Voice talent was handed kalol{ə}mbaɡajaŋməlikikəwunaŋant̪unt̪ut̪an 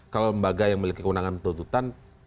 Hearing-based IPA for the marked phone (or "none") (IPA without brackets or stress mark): ə